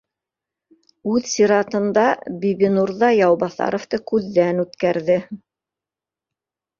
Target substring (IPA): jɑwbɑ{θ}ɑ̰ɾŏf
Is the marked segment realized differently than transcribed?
no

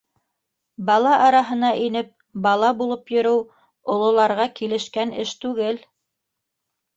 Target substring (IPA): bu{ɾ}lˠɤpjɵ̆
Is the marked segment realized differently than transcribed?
yes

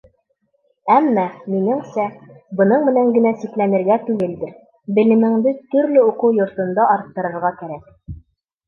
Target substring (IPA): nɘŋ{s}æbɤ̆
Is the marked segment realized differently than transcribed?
no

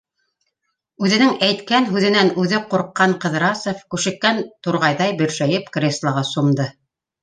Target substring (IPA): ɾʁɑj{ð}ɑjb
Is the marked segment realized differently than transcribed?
no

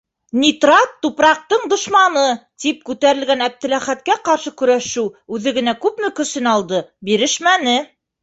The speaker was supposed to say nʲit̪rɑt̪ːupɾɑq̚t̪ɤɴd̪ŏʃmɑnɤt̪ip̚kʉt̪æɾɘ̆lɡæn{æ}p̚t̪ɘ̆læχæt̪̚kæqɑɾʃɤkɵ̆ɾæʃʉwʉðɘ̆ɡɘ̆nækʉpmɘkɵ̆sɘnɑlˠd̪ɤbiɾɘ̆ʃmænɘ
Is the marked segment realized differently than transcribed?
no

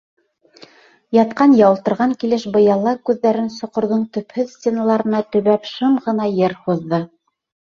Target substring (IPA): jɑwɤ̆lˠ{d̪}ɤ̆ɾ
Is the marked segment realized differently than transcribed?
yes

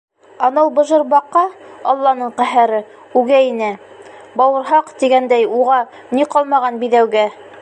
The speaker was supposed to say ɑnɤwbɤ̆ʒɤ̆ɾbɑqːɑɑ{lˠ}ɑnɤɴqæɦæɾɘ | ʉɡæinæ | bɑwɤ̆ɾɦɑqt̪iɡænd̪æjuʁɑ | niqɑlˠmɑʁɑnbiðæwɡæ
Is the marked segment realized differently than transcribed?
yes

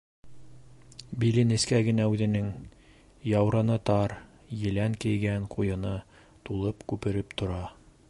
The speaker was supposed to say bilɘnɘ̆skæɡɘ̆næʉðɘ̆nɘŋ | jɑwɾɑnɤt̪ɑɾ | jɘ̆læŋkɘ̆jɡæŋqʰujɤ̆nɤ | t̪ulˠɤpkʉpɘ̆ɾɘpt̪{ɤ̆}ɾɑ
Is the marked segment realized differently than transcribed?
yes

